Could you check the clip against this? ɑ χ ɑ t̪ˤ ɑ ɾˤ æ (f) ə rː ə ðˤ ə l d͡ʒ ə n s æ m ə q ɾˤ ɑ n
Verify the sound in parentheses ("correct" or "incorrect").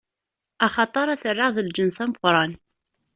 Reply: incorrect